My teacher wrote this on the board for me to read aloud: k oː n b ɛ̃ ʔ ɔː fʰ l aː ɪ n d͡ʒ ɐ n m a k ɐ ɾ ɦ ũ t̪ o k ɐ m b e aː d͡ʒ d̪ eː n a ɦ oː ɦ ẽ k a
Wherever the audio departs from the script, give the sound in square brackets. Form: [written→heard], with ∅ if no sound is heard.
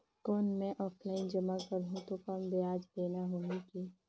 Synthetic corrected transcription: k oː n [b→m] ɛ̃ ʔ ɔː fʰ l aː ɪ n d͡ʒ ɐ [n→∅] m a k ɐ ɾ ɦ ũ t̪ o k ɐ m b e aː d͡ʒ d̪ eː n a ɦ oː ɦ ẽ k [a→i]